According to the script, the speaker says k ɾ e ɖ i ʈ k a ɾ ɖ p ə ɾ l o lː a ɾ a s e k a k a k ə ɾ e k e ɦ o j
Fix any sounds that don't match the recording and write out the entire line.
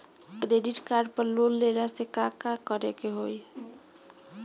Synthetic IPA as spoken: k ɾ e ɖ i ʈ k a ɾ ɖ p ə ɾ l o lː e ɾ a s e k a k a k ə ɾ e k e ɦ o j